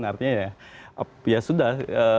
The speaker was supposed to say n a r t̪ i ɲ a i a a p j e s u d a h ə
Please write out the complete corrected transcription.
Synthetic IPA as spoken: n a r t̪ i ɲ a j a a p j a s u d a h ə

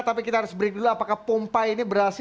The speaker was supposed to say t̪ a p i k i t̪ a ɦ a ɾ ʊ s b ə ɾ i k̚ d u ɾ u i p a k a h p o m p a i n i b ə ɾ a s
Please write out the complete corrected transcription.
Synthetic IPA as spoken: t̪ a p i k i t̪ a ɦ a ɾ ʊ s b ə ɾ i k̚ d u l u a p a k a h p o m p a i n i b ə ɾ a s

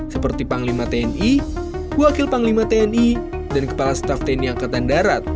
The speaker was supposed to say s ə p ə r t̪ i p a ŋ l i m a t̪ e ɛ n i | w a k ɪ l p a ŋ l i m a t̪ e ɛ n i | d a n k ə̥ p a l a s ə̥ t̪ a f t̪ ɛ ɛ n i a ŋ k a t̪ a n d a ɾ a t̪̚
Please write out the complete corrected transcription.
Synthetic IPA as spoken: s ə p ə r t̪ i p a ŋ l i m a t̪ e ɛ n i | w a k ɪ l p a ŋ l i m a t̪ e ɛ n i | d a n k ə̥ p a l a s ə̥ t̪ a f t̪ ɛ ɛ n i a ŋ k a t̪ a n d a ɾ a t̪̚

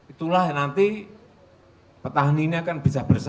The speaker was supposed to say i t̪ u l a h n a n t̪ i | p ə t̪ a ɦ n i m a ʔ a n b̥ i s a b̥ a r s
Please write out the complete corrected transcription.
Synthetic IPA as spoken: i t̪ u l a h n a n t̪ i | p ə t̪ a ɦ n i ɲ a k a n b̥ i s a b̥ ə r s

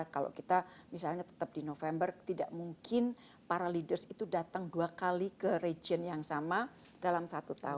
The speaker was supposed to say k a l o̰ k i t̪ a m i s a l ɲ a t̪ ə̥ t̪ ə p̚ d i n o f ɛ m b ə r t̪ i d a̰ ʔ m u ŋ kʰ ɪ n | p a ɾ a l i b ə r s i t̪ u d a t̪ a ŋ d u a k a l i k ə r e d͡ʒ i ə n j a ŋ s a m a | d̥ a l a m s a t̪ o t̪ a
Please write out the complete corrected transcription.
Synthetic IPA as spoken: k a l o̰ k i t̪ a m i s a l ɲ a t̪ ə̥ t̪ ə p̚ d i n o f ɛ m b ə r t̪ i d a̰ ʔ m u ŋ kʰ ɪ n | p a ɾ a l i d ə r s i t̪ u d a t̪ a ŋ d u a k a l i k ə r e d͡ʒ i ə n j a ŋ s a m a | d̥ a l a m s a t̪ u t̪ a

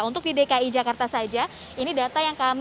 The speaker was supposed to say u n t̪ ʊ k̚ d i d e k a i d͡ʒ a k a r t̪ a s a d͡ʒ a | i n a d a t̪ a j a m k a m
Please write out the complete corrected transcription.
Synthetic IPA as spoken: u n t̪ ʊ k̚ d i d e k a i d͡ʒ a k a r t̪ a s a d͡ʒ a | i n i d a t̪ a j a ŋ k a m

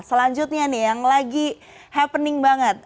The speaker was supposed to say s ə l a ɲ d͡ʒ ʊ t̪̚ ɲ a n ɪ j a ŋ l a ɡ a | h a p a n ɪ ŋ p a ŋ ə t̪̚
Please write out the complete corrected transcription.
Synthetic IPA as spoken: s ə l a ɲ d͡ʒ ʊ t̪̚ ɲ a n ɪ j a ŋ l a ɡ i | h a p ə n ɪ ŋ b a ŋ ə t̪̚

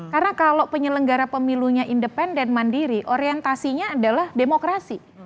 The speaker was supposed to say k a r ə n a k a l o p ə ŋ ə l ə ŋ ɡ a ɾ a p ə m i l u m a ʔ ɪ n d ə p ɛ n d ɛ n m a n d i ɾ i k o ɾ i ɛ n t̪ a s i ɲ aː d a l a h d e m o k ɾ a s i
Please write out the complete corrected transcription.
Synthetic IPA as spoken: k a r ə n a k a l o p ə ɲ ə l ə ŋ ɡ a ɾ a p ə m i l u ɲ a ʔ i n d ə p ɛ n d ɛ n m a n d i ɾ i ʔ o ɾ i ɛ n t̪ a s i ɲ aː d a l a h d e m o k ɾ a s i

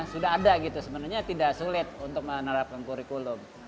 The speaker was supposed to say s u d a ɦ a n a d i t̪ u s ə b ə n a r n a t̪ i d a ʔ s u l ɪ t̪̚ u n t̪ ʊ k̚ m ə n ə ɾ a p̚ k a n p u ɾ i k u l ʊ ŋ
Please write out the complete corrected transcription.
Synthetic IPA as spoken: s u d a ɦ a d a ɡ i t̪ u s ə b ə n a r ɲ a t̪ i d a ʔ s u l ɪ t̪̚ u n t̪ ʊ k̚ m ə n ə ɾ a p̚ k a n k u ɾ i k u l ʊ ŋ

